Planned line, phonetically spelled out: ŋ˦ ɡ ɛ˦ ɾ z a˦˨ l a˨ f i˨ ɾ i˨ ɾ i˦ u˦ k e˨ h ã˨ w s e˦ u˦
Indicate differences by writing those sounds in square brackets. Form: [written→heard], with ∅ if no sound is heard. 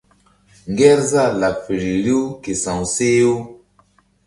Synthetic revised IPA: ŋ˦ ɡ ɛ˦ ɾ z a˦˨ l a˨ f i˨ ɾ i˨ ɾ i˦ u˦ k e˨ [h→s] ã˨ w s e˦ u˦